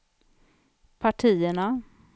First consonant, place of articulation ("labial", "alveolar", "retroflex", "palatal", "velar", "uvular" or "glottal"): labial